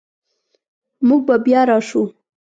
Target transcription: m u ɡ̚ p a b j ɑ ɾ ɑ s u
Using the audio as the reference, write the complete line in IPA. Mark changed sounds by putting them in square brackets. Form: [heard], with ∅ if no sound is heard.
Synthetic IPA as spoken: m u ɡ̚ [b] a b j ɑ ɾ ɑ [ʃ] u